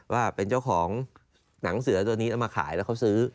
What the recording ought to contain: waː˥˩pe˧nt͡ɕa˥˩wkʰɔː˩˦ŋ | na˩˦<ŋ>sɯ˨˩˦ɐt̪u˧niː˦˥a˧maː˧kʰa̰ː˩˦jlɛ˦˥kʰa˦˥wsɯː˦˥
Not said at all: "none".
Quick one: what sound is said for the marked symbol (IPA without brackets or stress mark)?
ŋ